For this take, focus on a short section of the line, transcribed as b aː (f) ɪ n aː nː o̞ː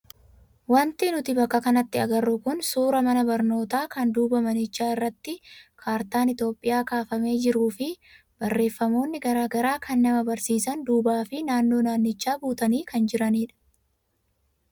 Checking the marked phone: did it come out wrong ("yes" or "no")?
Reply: no